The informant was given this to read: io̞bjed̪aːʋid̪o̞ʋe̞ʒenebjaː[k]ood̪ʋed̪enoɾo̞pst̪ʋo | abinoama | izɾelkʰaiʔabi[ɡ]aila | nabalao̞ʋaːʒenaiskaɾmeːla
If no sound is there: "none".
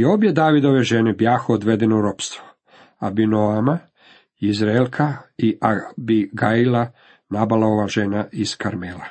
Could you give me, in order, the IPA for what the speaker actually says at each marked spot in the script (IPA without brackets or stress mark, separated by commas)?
x, ɡ